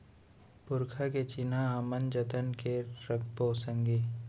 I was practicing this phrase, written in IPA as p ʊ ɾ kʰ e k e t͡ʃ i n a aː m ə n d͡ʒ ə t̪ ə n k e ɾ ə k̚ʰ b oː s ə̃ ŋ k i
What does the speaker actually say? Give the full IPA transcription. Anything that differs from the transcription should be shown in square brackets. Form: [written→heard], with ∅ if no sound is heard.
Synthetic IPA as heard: p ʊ ɾ kʰ [e→a] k e t͡ʃ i n a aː m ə n d͡ʒ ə t̪ ə n k e ɾ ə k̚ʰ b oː s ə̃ ŋ [k→ɡ] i